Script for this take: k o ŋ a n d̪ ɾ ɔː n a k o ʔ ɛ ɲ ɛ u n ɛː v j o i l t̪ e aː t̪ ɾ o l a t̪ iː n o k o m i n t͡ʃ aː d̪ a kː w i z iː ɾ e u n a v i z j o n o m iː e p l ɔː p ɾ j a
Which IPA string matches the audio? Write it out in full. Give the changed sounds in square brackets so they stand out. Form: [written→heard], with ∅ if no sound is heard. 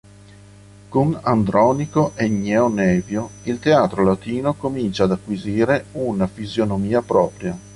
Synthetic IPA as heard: k o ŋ a n d̪ ɾ ɔː n [a→i] k o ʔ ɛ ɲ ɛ [u→o] n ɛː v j o i l t̪ e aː t̪ ɾ o l a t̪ iː n o k o m i n t͡ʃ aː d̪ a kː w i z iː ɾ e u n a [v→f] i z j o n o m iː [e→a] p [l→ɾ] ɔː p ɾ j a

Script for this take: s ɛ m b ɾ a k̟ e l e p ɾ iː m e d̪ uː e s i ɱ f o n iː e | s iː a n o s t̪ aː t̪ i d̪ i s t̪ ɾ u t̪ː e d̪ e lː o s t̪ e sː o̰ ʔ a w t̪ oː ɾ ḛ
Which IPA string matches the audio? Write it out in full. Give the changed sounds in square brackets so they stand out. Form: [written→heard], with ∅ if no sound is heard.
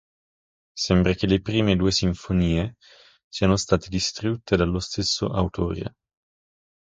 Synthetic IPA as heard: s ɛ m b ɾ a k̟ e l e p ɾ iː m e d̪ uː e s i ɱ f o n iː e | s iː a n o s t̪ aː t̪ [i→e] d̪ i s t̪ ɾ u t̪ː e d̪ [e→a] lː o s t̪ e sː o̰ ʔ a w t̪ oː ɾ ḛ

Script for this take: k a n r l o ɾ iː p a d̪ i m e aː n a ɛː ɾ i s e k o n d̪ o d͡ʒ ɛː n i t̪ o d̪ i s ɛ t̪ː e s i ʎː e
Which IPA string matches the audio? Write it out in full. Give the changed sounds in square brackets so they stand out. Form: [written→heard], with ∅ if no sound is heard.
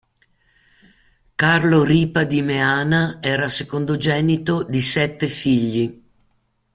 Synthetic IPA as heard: k a [n→∅] r l o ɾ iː p a d̪ i m e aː n a ɛː ɾ [i→a] s e k o n d̪ o d͡ʒ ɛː n i t̪ o d̪ i s ɛ t̪ː e [s→f] i ʎː [e→i]

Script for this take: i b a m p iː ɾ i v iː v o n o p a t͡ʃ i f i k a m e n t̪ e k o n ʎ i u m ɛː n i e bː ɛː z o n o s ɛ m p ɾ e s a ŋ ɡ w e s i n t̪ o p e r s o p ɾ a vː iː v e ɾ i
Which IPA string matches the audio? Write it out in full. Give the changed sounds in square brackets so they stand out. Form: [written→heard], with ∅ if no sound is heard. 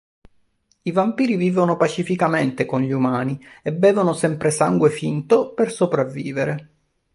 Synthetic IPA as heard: i [b→v] a m p iː ɾ i v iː v o n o p a t͡ʃ i f i k a m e n t̪ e k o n ʎ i u m [ɛː→aː] n i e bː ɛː [z→v] o n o s ɛ m p ɾ e s a ŋ ɡ w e [s→f] i n t̪ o p e r s o p ɾ a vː iː v e ɾ [i→e]

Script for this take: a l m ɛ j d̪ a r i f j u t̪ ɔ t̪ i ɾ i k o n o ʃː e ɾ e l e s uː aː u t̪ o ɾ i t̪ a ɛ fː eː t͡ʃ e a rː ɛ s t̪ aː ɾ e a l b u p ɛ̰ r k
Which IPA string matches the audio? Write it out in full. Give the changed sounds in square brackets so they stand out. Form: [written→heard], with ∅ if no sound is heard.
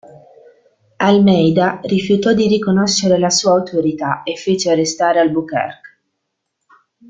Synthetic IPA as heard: a l m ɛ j d̪ a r i f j u t̪ ɔ [t̪→d̪] i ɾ i k o n o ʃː e ɾ e l [e→a] s uː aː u t̪ o ɾ i t̪ a [ɛ→e] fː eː t͡ʃ e a rː [ɛ→e] s t̪ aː ɾ e a l b u [p→k] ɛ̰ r k

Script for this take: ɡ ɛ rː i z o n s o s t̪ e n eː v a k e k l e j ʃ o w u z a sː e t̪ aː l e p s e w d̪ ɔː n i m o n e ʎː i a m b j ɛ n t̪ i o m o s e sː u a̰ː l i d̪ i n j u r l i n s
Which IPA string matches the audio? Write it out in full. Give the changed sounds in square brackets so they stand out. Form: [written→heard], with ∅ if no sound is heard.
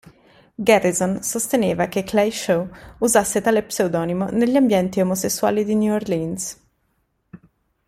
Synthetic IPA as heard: ɡ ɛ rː i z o n s o s t̪ e n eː v a k e k l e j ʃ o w u z a sː e t̪ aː l e p s e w d̪ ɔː n i m o n e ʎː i a m b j ɛ n t̪ i o m o s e sː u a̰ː l i d̪ i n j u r l i n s

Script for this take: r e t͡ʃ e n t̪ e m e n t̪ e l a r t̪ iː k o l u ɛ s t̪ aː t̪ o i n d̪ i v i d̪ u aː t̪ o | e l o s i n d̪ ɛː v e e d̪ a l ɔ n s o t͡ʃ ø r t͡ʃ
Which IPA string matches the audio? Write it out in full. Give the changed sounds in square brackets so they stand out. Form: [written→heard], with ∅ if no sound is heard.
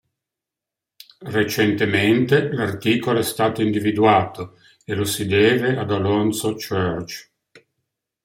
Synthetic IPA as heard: r e t͡ʃ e n t̪ e m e n t̪ e l a r t̪ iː k o l [u→o] ɛ s t̪ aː t̪ o i n d̪ i v i d̪ u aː t̪ o | e l o s i [n→∅] d̪ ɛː v e [e→a] d̪ a l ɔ n s o t͡ʃ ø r t͡ʃ

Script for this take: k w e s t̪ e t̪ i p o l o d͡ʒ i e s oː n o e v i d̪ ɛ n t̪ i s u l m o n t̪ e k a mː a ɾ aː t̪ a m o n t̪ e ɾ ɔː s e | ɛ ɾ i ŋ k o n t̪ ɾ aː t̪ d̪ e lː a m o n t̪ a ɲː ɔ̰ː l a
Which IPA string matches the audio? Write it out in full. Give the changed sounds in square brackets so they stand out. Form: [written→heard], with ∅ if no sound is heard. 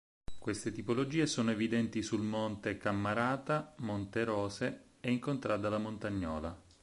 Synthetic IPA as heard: k w e s t̪ e t̪ i p o l o d͡ʒ [i→iː] e s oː n o e v i d̪ ɛ n t̪ i s u l m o n t̪ e k a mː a ɾ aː t̪ a m o n t̪ e ɾ ɔː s e | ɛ [ɾ→∅] i ŋ k o n t̪ ɾ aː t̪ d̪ [e→a] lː a m o n t̪ a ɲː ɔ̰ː l a

